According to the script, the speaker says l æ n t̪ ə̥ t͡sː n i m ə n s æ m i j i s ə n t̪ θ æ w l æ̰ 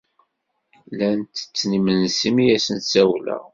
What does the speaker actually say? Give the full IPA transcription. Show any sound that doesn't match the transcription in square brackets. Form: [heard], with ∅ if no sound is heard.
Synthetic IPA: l æ n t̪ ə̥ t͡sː n i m ə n s [i] m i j [æ] s ə n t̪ [s] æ w l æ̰